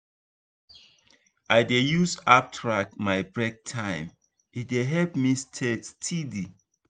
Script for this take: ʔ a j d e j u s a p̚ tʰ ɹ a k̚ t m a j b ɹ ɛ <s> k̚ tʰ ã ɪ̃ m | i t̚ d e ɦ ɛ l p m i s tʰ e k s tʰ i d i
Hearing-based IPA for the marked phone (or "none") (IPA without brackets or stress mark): none